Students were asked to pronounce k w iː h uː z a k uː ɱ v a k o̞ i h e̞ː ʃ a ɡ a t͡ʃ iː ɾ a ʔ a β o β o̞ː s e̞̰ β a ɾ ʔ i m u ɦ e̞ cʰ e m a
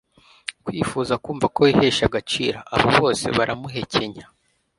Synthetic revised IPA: k w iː f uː z a k uː ɱ v a k o̞ i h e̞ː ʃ a ɡ a t͡ʃ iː ɾ a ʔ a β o β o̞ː s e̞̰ β a ɾ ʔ a m u ɦ e̞ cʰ e ɲ a